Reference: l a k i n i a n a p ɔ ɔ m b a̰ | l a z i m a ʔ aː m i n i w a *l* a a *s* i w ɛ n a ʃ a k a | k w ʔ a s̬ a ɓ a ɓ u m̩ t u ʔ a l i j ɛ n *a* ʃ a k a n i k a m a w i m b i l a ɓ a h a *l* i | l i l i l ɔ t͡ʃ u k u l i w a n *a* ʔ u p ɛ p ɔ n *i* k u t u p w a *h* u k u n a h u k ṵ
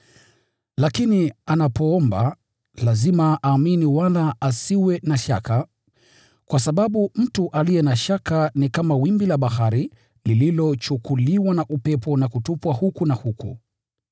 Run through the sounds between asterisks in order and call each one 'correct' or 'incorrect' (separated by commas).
correct, correct, correct, incorrect, correct, incorrect, correct